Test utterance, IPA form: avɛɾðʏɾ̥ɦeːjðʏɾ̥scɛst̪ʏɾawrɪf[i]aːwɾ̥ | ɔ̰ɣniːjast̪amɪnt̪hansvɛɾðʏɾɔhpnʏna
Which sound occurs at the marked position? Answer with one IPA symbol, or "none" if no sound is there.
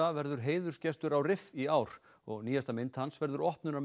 i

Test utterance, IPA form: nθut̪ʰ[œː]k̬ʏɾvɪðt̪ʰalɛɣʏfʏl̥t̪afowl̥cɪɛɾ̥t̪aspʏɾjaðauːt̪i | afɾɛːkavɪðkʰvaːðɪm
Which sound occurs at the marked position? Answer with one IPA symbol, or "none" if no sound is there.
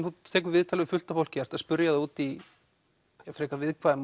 ɛː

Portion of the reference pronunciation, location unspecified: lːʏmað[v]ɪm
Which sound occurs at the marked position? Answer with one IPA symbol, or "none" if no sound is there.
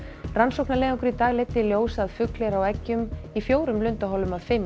f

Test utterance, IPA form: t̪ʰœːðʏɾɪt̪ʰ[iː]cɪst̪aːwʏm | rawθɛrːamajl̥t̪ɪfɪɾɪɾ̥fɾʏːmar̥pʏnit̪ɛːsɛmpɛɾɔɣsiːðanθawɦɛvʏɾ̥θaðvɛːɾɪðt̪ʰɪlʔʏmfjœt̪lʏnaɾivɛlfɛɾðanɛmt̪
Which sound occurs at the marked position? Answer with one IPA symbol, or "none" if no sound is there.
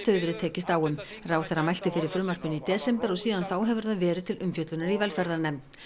ɛː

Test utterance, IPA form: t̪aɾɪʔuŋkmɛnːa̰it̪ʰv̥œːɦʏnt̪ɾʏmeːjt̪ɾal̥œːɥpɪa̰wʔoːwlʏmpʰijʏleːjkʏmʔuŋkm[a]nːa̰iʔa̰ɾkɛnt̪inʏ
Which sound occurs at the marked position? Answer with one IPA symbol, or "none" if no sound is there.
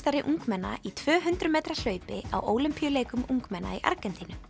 ɛ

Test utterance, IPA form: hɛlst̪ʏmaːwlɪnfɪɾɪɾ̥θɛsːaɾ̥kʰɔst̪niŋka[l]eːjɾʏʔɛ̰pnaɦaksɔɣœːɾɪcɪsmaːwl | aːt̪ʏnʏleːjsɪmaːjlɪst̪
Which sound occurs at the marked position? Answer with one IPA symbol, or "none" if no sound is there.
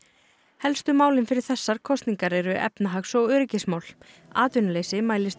ɾ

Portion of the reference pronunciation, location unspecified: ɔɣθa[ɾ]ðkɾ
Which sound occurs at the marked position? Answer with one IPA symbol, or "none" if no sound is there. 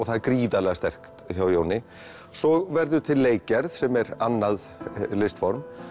none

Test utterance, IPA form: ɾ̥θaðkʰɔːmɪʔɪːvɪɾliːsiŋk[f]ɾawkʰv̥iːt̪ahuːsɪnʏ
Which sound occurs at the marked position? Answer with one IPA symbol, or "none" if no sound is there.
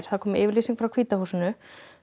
f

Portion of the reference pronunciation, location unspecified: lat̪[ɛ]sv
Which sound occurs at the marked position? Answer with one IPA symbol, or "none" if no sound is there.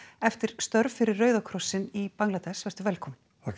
ɛ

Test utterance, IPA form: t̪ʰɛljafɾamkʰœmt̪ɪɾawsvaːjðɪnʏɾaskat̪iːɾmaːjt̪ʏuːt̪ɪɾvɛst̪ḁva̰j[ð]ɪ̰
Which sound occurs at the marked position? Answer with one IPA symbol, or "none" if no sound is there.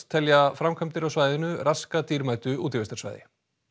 ð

